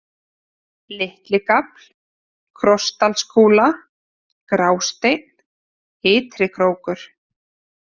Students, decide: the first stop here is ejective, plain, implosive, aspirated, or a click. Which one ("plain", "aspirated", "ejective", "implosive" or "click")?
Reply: plain